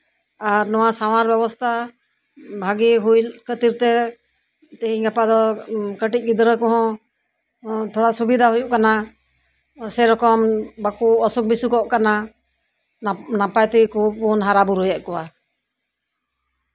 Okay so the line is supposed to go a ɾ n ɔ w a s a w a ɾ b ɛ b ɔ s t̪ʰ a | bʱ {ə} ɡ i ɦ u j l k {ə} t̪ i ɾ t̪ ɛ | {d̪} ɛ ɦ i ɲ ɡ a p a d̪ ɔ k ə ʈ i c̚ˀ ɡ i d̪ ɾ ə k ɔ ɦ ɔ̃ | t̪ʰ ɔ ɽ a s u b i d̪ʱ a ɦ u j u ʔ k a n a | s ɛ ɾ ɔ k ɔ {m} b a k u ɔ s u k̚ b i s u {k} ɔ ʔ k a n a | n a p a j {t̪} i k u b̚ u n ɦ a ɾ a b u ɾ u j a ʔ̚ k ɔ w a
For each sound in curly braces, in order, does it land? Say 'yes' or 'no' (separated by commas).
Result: no, yes, no, yes, yes, yes